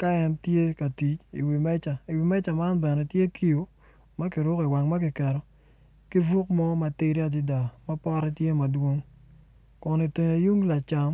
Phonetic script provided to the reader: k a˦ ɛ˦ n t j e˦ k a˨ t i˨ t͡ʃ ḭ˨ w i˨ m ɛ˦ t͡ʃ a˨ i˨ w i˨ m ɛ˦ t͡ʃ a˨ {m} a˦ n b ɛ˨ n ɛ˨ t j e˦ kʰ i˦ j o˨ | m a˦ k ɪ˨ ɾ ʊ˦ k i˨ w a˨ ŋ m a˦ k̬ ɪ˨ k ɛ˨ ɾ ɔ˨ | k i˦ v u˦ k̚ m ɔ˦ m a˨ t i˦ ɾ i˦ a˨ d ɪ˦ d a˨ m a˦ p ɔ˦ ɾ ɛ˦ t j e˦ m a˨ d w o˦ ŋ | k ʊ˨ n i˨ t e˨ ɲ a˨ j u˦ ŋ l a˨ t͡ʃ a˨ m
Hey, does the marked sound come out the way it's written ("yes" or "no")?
yes